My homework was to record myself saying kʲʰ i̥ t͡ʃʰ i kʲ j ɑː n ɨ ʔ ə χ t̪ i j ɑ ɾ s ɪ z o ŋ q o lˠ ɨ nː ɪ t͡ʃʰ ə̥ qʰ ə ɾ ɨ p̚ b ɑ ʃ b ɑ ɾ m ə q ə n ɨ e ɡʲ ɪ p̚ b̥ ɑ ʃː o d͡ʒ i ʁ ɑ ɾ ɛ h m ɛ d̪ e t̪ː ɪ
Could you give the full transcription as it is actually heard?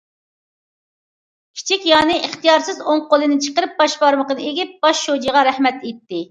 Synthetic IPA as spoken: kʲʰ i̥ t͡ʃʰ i kʲ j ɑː n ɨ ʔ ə χ t̪ i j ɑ ɾ s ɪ z o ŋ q o lˠ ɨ n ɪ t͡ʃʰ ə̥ q ə ɾ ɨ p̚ b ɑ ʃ b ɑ ɾ m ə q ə n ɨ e ɡʲ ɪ p̚ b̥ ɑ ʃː o d͡ʒ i ʁ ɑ ɾ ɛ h m ɛ t̪ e t̪ː ɪ